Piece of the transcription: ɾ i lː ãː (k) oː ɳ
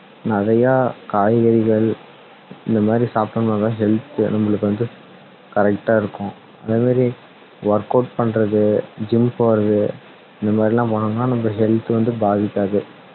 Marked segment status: incorrect: p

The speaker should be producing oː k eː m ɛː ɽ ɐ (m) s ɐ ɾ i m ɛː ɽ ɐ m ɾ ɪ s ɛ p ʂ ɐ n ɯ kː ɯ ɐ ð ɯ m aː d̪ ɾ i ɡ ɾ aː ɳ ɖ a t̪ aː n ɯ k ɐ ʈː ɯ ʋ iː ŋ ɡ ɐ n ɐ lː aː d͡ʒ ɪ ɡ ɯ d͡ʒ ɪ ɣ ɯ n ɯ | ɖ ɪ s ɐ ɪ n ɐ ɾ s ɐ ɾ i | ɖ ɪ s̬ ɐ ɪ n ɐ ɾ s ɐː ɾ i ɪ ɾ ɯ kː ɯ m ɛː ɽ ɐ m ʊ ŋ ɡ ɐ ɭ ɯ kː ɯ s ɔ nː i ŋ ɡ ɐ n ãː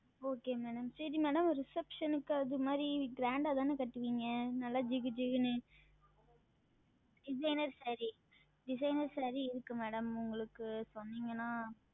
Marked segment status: correct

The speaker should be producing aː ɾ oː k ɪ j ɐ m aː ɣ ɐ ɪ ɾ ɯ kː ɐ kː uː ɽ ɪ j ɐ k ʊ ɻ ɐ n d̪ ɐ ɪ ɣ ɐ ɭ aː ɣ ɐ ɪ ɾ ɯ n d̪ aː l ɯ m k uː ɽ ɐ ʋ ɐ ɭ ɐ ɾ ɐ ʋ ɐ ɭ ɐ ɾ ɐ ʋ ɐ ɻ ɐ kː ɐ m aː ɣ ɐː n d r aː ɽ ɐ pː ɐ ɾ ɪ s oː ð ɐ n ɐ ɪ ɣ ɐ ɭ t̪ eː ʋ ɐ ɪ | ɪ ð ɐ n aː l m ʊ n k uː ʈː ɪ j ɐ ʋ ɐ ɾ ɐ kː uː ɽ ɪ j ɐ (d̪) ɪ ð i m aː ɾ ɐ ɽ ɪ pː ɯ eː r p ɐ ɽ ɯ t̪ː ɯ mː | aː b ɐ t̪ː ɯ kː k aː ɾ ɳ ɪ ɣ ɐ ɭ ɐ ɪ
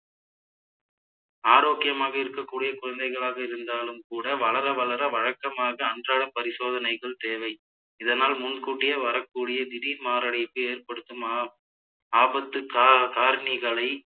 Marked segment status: correct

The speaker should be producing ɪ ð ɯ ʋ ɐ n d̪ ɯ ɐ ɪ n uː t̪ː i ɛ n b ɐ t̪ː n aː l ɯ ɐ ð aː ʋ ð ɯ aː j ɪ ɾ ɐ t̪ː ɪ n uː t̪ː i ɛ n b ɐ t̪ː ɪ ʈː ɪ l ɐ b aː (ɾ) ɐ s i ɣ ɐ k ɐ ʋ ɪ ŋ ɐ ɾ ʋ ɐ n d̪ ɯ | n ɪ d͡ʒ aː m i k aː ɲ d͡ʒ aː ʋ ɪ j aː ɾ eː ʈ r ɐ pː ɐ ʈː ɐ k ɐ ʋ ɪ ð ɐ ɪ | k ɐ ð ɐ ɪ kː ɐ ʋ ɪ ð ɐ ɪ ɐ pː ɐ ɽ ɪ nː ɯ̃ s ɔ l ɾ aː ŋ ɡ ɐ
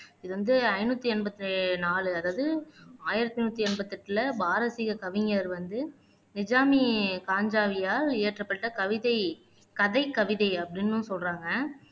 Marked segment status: correct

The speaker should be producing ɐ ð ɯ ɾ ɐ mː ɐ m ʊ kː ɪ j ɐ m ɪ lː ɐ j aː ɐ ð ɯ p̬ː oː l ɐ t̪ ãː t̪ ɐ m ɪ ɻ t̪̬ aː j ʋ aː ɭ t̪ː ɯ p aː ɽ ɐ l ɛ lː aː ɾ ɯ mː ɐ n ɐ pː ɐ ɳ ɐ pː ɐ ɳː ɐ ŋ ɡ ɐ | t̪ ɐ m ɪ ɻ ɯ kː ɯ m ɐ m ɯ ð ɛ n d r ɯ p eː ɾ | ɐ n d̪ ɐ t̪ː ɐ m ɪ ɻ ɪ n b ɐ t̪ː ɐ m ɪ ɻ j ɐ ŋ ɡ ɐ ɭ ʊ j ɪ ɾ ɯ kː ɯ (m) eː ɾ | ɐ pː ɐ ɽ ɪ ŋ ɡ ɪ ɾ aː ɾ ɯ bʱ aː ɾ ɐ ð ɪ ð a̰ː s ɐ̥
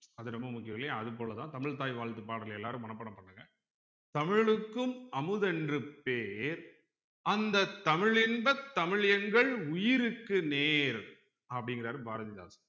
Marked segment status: incorrect: n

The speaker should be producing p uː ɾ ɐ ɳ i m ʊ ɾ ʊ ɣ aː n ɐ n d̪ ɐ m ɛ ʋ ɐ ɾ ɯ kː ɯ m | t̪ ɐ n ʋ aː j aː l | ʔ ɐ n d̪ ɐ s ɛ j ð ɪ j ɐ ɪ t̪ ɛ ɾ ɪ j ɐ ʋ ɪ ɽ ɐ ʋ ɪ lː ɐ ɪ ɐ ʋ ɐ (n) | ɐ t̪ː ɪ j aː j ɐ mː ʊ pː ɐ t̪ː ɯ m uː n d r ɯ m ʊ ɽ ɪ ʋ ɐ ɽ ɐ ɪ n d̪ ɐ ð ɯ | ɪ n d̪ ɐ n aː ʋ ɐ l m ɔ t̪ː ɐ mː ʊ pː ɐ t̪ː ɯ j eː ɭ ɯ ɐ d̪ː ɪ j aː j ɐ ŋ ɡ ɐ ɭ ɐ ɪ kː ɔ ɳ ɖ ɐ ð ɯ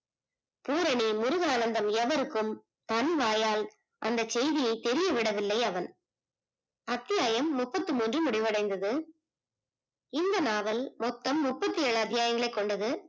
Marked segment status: correct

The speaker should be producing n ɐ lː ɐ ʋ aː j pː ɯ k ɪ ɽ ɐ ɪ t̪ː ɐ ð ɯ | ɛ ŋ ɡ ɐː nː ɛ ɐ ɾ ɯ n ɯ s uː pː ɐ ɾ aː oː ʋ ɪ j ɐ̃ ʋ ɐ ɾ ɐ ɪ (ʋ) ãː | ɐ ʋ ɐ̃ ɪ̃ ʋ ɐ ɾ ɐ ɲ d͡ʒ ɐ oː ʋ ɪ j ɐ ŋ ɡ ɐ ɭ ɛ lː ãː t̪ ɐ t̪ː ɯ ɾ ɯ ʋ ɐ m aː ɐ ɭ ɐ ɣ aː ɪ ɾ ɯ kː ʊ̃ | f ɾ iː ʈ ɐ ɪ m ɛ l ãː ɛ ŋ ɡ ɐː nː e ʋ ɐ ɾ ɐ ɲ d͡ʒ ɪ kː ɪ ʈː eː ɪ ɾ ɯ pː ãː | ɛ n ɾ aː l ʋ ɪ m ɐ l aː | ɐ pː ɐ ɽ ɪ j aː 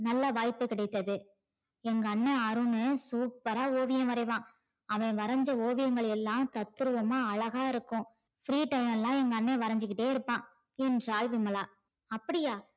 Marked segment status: correct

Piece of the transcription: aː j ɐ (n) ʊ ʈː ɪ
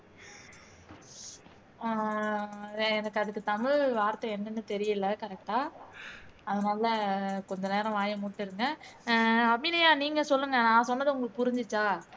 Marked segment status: incorrect: m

